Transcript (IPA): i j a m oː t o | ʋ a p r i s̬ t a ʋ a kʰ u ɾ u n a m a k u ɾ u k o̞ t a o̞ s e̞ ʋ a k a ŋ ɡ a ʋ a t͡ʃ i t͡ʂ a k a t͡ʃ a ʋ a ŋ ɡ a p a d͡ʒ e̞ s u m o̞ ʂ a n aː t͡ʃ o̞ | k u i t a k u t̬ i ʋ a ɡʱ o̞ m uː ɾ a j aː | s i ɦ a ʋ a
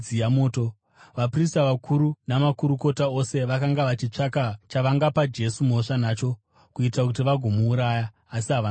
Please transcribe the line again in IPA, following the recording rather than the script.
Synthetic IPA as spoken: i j a m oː t o | ʋ a p r i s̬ t a ʋ a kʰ u ɾ u n a m a k u ɾ u k o̞ t a o̞ s e̞ ʋ a k a ŋ ɡ a ʋ a t͡ʃ i t͡ʂ a k a t͡ʃ a ʋ a ŋ ɡ a p a d͡ʒ e̞ s u m o̞ ʂ a n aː t͡ʃ o̞ | k u i t a k u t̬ i ʋ a ɡʱ o̞ m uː ɾ a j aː | s i ɦ a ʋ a